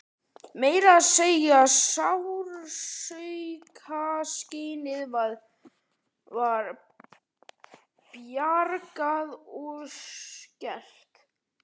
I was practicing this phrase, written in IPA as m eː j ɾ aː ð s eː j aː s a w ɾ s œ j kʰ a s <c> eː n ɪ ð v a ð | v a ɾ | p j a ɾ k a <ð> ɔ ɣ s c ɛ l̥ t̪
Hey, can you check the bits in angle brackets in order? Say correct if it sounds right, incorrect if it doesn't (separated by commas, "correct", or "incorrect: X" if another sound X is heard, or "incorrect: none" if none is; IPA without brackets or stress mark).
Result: correct, correct